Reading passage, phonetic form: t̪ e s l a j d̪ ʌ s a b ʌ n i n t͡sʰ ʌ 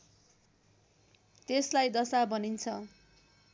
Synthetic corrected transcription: t̪ e s l a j d̪ ʌ s a b ʌ n i n t͡sʰ ʌ